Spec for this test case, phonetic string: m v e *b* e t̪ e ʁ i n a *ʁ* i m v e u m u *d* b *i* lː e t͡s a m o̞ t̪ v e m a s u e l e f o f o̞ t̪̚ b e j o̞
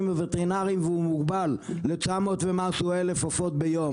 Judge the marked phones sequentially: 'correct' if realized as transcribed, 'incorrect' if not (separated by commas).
incorrect, correct, incorrect, incorrect